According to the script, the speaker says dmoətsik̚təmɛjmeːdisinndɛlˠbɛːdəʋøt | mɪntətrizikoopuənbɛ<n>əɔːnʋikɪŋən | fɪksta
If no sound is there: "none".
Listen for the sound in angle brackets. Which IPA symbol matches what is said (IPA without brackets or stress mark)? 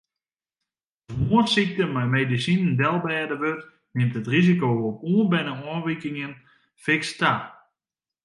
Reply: n